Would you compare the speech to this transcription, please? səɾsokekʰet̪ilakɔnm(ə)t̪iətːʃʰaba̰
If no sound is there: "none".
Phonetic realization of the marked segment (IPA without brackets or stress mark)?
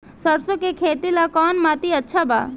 a